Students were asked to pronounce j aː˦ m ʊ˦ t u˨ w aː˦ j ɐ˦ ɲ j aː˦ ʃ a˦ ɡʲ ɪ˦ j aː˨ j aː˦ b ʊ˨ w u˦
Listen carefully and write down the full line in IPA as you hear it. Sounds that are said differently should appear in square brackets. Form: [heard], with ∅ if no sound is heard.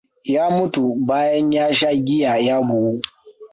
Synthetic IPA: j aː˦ m ʊ˦ t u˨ [b] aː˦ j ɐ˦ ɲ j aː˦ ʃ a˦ ɡʲ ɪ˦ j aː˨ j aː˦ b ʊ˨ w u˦